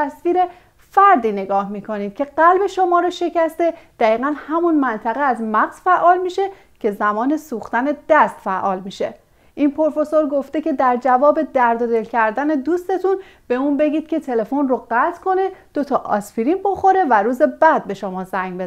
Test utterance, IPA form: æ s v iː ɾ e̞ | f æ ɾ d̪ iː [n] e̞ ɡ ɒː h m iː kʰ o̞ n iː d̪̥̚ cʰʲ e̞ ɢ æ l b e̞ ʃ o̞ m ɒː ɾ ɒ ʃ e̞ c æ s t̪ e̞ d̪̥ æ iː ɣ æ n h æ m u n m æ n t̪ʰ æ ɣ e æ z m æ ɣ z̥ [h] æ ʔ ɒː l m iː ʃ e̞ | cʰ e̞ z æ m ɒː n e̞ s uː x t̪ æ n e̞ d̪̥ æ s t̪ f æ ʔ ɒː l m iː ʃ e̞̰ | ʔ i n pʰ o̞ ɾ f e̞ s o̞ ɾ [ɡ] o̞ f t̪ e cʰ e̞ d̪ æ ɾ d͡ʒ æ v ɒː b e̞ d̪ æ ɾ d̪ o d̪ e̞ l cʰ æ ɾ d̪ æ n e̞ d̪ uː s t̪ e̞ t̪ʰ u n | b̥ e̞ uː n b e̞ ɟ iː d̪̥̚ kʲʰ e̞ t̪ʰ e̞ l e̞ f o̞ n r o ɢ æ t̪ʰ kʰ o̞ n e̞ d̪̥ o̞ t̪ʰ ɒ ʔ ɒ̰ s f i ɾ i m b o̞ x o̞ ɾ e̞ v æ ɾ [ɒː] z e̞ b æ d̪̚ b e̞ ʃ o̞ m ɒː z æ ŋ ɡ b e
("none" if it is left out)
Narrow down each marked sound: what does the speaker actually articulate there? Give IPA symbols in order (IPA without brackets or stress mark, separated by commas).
n, f, ɡ, uː